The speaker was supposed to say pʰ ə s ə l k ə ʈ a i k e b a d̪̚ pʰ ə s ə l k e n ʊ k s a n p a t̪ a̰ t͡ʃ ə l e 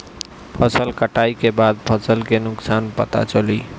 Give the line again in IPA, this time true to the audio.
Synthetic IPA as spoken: pʰ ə s ə l k ə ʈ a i k e b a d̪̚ pʰ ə s ə l k e n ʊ k s a n p ə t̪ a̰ t͡ʃ ə l i